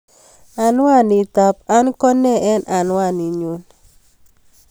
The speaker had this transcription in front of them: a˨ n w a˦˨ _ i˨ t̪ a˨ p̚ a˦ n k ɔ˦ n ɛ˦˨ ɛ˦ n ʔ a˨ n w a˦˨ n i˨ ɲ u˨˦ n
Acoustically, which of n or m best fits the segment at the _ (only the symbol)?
n